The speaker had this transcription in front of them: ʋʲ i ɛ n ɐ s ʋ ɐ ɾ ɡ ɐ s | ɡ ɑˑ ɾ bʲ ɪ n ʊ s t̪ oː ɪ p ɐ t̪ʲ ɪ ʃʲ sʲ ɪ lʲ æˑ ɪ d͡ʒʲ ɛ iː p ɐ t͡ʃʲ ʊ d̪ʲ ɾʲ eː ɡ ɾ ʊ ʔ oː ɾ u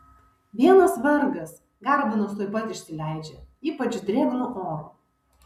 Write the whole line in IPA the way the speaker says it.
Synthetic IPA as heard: ʋʲ i ɛ n ɐ s ʋ ɐ ɾ ɡ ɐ s | ɡ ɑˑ ɾ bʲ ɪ n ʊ s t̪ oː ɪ p ɐ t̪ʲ ɪ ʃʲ sʲ ɪ lʲ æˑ ɪ d͡ʒʲ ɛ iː p ɐ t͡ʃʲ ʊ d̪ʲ ɾʲ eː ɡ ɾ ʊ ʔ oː ɾ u